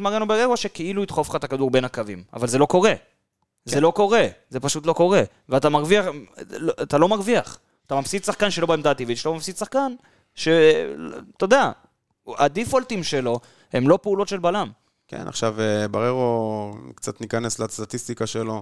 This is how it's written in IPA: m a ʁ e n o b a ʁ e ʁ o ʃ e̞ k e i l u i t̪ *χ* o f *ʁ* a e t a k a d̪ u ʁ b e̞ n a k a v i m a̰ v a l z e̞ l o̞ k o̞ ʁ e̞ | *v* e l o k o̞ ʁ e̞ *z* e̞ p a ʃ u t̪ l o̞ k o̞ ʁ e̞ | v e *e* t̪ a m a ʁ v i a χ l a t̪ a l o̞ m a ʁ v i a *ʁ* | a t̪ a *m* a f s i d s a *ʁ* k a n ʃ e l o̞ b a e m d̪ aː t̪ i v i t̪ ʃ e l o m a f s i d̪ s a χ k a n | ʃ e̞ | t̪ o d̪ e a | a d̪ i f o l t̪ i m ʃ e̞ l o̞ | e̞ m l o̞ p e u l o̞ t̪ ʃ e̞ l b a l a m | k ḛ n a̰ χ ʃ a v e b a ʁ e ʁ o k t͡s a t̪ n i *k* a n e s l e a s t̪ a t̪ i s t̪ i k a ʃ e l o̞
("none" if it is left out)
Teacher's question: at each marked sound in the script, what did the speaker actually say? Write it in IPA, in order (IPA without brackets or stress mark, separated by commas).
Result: χ, χ, z, z, a, χ, m, χ, k